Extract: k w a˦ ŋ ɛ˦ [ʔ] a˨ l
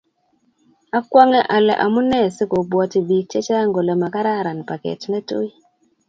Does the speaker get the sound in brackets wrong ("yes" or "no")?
no